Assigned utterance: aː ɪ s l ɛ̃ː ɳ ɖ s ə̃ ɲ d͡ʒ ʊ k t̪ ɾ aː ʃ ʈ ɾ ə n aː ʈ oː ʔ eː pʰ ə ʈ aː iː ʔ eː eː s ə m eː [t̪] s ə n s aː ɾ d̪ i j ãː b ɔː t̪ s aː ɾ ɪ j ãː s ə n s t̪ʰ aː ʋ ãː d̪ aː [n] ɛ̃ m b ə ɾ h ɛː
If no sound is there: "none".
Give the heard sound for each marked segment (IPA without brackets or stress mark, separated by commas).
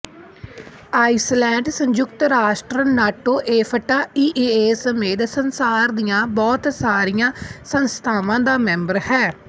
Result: d̪, m